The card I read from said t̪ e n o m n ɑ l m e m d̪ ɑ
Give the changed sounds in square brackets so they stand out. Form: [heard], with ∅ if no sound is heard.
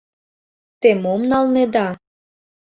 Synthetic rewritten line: t̪ e [m] o m n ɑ l [n] e [∅] d̪ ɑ